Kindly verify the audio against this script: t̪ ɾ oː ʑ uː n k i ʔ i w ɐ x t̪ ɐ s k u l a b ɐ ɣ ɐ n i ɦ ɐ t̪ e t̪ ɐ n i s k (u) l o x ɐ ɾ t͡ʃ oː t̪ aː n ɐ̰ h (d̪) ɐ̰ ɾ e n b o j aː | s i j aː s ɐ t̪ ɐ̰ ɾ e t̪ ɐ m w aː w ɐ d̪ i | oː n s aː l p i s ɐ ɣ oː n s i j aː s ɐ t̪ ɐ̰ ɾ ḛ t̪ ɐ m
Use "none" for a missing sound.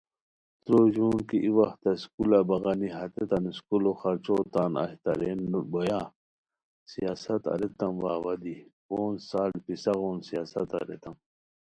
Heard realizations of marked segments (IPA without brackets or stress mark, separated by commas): u, t̪